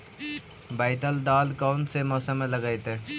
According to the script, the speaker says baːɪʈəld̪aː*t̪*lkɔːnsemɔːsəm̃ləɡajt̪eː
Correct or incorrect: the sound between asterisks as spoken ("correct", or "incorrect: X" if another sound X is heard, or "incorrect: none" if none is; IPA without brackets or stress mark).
incorrect: none